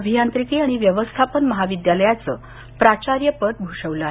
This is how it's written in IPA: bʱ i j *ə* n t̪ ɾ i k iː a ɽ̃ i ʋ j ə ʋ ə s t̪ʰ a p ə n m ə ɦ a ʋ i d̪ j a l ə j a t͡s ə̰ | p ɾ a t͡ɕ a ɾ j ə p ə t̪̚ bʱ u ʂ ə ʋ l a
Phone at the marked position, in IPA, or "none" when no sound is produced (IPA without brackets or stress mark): a